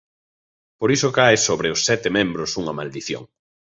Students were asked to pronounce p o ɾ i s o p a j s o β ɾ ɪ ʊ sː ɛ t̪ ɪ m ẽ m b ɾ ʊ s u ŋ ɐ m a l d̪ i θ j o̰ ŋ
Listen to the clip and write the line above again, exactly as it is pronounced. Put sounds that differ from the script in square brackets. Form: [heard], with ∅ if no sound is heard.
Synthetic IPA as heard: p o ɾ i s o [k] a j s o β ɾ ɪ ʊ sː ɛ t̪ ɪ m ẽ m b ɾ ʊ s u ŋ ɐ m a l d̪ i θ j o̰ ŋ